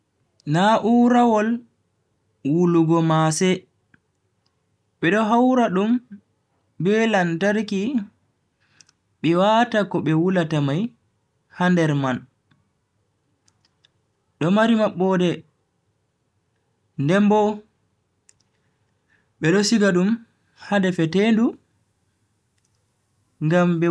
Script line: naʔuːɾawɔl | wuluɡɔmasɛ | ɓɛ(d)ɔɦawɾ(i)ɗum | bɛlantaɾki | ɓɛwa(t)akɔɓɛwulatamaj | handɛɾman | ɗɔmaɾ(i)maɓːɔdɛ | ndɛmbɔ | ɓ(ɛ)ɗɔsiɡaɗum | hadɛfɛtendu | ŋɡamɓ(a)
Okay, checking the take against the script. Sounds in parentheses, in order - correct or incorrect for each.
incorrect, incorrect, correct, correct, correct, incorrect

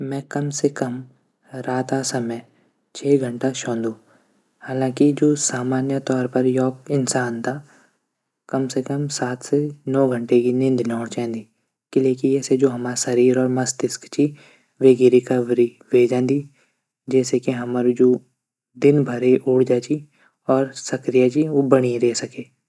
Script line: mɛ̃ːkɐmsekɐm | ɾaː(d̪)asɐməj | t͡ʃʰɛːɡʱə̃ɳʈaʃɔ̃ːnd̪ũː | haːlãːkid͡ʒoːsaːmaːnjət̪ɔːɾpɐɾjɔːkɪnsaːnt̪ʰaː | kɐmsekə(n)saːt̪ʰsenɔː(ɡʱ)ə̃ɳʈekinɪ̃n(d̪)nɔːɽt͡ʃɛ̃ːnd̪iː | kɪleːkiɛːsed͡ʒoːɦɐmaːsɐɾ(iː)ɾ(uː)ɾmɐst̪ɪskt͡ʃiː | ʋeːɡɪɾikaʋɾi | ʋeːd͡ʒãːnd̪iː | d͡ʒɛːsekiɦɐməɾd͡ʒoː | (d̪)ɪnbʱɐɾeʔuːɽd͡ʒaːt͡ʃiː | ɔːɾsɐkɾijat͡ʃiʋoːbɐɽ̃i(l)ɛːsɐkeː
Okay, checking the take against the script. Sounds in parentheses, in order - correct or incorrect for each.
incorrect, incorrect, correct, correct, correct, incorrect, correct, incorrect

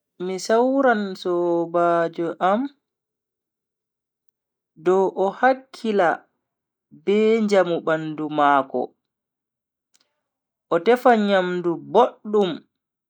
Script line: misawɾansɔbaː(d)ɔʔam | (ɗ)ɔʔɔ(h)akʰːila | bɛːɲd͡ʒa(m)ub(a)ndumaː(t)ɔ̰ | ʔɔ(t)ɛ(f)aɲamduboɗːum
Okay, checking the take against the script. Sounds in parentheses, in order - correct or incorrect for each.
incorrect, incorrect, correct, correct, correct, incorrect, correct, correct

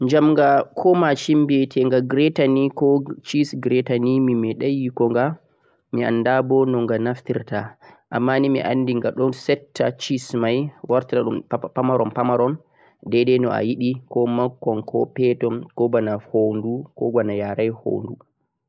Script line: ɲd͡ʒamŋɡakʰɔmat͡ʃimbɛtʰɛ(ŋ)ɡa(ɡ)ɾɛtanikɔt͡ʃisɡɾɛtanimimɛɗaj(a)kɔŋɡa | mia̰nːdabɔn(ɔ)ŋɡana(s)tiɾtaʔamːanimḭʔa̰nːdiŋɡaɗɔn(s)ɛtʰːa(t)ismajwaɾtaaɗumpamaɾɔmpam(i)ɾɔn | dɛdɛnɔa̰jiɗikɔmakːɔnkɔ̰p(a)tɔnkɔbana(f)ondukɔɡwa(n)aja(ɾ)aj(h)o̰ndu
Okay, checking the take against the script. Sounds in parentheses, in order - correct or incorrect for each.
correct, correct, incorrect, correct, incorrect, correct, incorrect, incorrect, incorrect, incorrect, correct, correct, correct

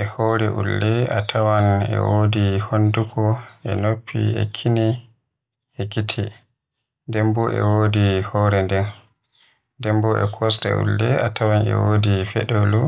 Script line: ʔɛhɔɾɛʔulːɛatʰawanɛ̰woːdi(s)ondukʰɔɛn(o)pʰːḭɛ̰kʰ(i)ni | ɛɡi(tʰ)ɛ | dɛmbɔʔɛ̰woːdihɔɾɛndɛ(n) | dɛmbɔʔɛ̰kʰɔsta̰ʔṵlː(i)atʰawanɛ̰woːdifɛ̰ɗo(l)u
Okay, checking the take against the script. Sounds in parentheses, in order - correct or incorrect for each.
incorrect, correct, correct, correct, correct, incorrect, correct

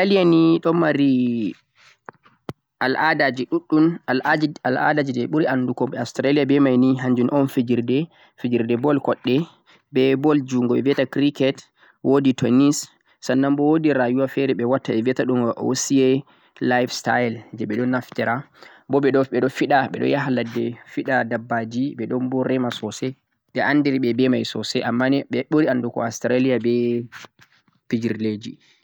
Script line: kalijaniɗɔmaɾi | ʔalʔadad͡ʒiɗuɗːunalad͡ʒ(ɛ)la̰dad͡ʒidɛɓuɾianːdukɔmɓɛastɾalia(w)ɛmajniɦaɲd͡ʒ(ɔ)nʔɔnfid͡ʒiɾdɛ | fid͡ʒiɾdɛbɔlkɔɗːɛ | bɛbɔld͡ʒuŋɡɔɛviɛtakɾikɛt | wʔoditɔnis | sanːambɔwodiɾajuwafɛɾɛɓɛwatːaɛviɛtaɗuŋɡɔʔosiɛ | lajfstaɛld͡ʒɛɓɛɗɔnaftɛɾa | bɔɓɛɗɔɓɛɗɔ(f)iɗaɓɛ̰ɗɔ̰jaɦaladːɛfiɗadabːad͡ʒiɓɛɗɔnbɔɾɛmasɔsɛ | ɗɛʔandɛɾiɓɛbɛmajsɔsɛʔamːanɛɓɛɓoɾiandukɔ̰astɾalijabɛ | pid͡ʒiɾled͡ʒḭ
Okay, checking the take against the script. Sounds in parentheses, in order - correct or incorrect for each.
incorrect, incorrect, incorrect, correct

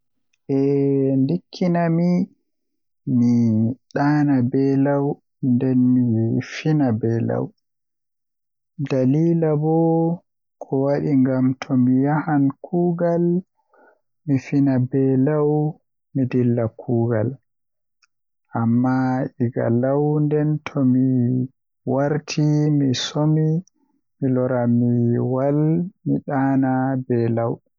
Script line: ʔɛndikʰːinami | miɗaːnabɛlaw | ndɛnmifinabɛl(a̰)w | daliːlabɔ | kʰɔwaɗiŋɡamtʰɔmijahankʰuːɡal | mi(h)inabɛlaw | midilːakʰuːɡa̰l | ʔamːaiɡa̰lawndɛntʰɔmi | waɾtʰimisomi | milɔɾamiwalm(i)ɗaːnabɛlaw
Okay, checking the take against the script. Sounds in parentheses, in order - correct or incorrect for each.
correct, incorrect, correct

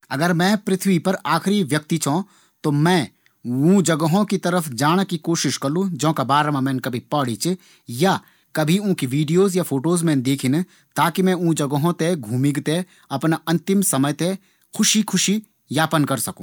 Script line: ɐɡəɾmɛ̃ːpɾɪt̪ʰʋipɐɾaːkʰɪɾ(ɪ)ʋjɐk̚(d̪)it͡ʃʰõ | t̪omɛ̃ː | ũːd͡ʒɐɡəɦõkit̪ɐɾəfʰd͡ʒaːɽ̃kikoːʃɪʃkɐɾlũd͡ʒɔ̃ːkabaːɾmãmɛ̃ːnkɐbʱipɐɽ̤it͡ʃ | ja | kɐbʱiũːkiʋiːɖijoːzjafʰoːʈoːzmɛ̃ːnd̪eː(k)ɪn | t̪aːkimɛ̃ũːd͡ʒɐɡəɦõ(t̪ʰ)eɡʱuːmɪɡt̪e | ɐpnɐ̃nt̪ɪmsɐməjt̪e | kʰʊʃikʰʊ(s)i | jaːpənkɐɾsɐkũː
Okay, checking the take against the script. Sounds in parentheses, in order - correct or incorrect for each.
incorrect, incorrect, incorrect, incorrect, incorrect

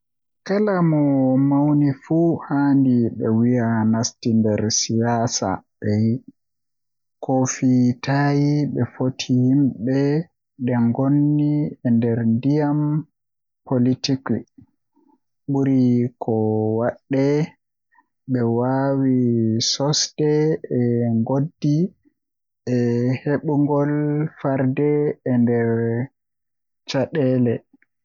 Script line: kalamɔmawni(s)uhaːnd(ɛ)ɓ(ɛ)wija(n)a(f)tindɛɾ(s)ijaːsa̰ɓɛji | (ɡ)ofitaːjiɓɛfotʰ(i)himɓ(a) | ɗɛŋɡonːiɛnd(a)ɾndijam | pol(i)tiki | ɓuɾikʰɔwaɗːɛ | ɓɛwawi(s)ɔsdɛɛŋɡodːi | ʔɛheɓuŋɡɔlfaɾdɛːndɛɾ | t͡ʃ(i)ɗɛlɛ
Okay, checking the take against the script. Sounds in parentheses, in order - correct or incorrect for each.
incorrect, incorrect, correct, correct, incorrect, correct, incorrect, correct, incorrect, incorrect, correct, correct, incorrect

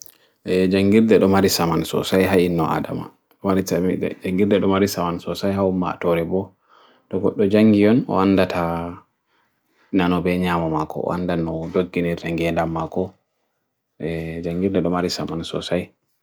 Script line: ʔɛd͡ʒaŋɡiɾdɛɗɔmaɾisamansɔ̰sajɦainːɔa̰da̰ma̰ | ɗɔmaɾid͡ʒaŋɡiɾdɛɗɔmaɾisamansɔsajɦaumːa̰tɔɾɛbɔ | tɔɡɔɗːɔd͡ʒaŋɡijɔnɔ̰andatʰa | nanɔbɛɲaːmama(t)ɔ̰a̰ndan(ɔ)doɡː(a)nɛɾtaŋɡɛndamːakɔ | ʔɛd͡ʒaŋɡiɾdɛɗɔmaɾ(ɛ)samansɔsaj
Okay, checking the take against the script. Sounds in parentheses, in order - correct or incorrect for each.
incorrect, correct, incorrect, incorrect

